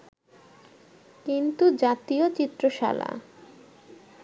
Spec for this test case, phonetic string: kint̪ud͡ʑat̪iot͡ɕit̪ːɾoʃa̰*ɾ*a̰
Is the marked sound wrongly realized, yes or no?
yes